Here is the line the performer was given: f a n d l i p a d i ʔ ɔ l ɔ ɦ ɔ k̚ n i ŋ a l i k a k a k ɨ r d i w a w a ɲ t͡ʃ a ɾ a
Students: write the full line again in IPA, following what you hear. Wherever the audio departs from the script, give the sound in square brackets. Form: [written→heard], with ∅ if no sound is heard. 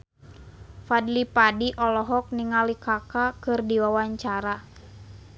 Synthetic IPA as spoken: f a [n→∅] d l i p a d i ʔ ɔ l ɔ ɦ ɔ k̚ n i ŋ a l i k a k a k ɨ r d i w a w a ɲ t͡ʃ a ɾ a